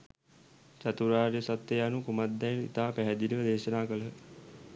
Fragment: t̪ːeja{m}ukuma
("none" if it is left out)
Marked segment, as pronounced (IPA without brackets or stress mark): n